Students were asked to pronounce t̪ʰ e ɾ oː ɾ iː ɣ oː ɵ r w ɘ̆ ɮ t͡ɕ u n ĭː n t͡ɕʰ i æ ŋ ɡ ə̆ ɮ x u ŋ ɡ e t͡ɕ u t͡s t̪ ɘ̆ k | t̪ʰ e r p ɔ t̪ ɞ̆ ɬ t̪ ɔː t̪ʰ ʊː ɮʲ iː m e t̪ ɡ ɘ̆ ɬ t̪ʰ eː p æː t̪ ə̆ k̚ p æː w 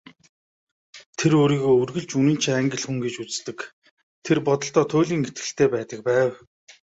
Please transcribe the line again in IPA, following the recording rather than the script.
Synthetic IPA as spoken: t̪ʰ e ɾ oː ɾ iː ɣ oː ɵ r ɣ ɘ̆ ɮ t͡ɕ u n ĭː n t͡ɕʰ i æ ŋ ɡ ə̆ ɮ x u ŋ ɡ e t͡ɕ u t͡s t̪ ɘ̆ k | t̪ʰ e r p ɔ t̪ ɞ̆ ɬ t̪ ɔː t̪ʰ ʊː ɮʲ iː ŋ e t̪ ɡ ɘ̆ ɬ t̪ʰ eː p æː t̪ ə̆ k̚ p æː w

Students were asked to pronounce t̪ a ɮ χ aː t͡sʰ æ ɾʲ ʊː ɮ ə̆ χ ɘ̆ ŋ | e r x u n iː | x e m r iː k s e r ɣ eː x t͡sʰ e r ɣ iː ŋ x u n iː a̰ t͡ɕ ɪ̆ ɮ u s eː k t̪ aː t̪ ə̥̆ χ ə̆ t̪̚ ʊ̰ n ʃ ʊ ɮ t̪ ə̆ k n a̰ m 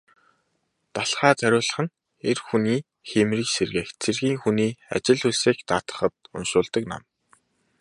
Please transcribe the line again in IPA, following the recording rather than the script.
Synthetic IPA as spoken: t̪ a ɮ χ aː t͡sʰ æ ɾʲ ʊː ɮ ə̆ χ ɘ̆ n | e r x u n iː | x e m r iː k s e r ɣ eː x t͡sʰ e r ɣ iː ŋ x u n iː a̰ t͡ɕ ɪ̆ ɮ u s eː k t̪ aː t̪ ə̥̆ χ ə̆ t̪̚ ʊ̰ n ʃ ʊː ɮ t̪ ə̆ k n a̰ m

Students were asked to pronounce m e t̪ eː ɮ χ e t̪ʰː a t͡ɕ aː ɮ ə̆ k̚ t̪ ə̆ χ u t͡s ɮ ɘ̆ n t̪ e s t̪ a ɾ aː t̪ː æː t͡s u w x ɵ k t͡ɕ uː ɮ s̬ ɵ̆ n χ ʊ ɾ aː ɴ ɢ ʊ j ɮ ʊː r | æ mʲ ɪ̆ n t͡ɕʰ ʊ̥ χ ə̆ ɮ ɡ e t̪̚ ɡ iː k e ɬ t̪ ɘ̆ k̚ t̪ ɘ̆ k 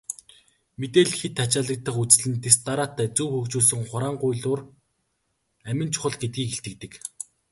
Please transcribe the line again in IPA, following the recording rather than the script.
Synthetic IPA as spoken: m e t̪ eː ɮ x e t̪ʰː a t͡ɕ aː ɮ ə̆ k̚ t̪ ə̆ χ u t͡s ɮ ɘ̆ n t̪ e s t̪ a ɾ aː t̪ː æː t͡s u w x ɵ k t͡ɕ uː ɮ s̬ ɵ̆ ŋ χ ʊ ɾ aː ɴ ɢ ʊ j ɮ ʊː r | æ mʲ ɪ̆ n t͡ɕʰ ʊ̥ χ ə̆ ɮ ɡ e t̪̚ ɡ iː k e ɬ t̪ ɘ̆ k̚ t̪ ɘ̆ k

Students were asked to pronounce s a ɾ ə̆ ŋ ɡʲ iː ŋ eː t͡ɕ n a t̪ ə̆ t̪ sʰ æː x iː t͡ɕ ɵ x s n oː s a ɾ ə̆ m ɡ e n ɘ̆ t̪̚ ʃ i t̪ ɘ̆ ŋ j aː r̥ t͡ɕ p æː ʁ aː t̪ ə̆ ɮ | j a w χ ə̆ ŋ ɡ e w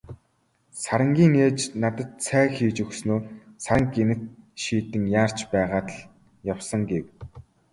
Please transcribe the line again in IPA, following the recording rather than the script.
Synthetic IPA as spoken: s a ɾ ə̆ ŋ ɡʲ iː ŋ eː t͡ɕ n a t̪ ə̆ t̪ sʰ æː x iː t͡ɕ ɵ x s n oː s a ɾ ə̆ ŋ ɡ e n ɘ̆ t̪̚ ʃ iː t̪ ɘ̆ ŋ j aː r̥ t͡ɕ p æː ʁ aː t̪ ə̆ ɮ | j a w s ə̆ ŋ ɡ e w

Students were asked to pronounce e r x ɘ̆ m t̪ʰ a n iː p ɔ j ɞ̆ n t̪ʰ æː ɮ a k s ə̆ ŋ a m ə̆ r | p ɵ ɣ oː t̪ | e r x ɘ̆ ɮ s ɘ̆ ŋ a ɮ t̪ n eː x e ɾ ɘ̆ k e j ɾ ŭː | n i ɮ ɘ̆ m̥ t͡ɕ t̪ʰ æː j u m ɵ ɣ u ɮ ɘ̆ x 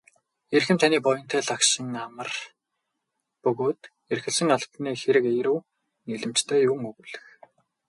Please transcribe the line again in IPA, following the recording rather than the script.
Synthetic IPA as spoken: e r x ɘ̆ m t̪ʰ a n iː p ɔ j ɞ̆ n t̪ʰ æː ɮ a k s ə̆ ŋ a m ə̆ r | p ɵ ɣ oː t̪ | e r x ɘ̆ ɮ s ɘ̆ ŋ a ɮ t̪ n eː x e ɾ ɘ̆ k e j ɾ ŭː | n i ɮ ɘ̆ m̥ t͡ɕ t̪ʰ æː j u ŋ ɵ ɣ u ɮ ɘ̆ x

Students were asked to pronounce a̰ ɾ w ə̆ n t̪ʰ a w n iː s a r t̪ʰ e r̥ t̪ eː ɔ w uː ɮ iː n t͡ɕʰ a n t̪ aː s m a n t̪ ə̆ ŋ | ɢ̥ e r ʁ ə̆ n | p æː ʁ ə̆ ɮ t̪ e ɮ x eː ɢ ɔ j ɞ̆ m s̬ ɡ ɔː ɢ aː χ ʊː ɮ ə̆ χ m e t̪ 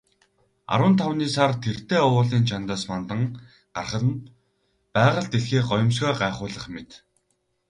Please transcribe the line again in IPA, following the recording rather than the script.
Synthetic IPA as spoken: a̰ ɾ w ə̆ n t̪ʰ a w n iː s a r t̪ʰ e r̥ t̪ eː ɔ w ʊː ɮ iː n t͡ɕʰ a n t̪ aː s m a n t̪ ə̆ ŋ | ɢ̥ a r χ ə̆ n | p æː ʁ ə̆ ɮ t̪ e ɮ x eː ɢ ɔ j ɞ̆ m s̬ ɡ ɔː ɢ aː χ ʊː ɮ ə̆ χ m e t̪

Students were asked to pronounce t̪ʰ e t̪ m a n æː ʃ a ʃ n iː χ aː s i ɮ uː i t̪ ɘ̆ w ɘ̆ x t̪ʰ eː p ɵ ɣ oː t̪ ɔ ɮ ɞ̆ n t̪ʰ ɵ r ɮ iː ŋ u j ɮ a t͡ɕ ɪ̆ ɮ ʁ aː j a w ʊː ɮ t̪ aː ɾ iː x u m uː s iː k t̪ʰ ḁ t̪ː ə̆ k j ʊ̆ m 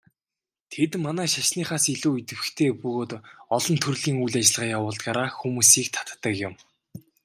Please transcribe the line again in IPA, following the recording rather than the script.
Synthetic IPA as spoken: t̪ʰ e t̪ m a n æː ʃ a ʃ n iː χ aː s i ɮ uː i t̪ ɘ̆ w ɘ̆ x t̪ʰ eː p ɵ ɣ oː t̪ ɔ ɮ ɞ̆ n t̪ʰ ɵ r ɮ iː ŋ u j ɮ a t͡ɕ ɪ̆ ɮ ʁ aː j a w ʊː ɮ t̪ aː ɾ aː x u m uː s iː k t̪ʰ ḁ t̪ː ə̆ k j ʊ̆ m

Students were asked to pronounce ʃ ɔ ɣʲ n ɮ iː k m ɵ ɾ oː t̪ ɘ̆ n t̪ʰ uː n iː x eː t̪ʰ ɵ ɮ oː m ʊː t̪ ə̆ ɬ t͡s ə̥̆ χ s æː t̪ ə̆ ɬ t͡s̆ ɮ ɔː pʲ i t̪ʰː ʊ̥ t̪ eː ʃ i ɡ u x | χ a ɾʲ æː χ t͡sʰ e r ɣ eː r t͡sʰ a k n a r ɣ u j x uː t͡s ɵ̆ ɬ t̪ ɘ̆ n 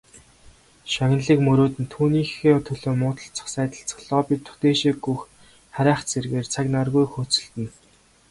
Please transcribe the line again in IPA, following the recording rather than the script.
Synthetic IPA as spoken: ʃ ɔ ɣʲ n ɮ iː k m ɵ ɾ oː t̪ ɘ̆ n t̪ʰ uː n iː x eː t̪ʰ ɵ ɮ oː m ʊː t̪ ə̆ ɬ t͡s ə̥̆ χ s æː t̪ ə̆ ɬ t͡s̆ ɮ ɔː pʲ i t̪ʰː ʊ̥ t̪ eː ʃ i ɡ u x | χ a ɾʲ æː χ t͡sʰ e r ɣ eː r t͡sʰ a k n a r ɣ u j x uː t͡s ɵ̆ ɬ t̪ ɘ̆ n

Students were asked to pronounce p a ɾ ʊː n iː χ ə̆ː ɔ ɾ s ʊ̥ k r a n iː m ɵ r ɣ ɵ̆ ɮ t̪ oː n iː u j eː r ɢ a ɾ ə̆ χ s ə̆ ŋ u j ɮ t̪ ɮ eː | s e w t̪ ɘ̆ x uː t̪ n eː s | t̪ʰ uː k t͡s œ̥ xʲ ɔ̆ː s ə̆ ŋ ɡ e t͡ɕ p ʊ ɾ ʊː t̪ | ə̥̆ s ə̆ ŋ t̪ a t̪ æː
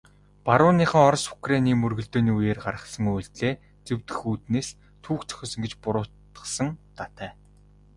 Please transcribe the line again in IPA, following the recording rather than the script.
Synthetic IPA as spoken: p a ɾ ʊː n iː χ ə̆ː ɔ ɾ s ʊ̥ k r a n iː m ɵ r ɣ ɵ̆ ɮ t̪ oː n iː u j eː r ɢ a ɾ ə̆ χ s ə̆ ŋ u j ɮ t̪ ɮ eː | t͡s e w t̪ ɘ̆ x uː t̪ n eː s | t̪ʰ uː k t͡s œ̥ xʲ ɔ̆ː s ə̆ ŋ ɡ e t͡ɕ p ʊ ɾ ʊː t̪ | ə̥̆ s ə̆ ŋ t̪ a t̪ æː

